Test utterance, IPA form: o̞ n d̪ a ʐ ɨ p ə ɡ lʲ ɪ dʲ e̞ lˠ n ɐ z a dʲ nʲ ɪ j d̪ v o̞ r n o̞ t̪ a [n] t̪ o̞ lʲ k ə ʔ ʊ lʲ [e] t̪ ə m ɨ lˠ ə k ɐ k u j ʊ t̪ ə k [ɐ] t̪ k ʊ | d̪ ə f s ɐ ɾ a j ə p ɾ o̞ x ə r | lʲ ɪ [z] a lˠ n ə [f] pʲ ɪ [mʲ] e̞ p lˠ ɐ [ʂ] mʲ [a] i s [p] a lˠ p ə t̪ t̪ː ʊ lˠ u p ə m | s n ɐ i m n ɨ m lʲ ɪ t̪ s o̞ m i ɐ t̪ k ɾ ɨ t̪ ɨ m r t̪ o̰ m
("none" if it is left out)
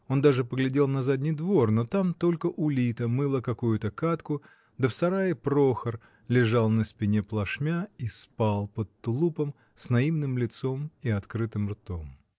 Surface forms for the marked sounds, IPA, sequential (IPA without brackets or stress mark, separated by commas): m, i, a, ʐ, s, nʲ, ʂ, a, p